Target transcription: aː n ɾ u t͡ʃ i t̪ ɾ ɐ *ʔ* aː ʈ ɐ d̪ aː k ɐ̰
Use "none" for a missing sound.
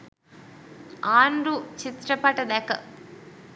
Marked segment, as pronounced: p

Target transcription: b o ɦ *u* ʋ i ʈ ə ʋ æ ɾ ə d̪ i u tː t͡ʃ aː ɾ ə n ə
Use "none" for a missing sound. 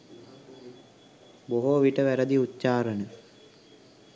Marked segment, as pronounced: o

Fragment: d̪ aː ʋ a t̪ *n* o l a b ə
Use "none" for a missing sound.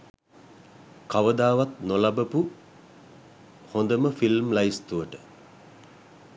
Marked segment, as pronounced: n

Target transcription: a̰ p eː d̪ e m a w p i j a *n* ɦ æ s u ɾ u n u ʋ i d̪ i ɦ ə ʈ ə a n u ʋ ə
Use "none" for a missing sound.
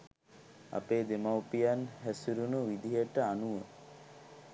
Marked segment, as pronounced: n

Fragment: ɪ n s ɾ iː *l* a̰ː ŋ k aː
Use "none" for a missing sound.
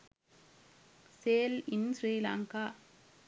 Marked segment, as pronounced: l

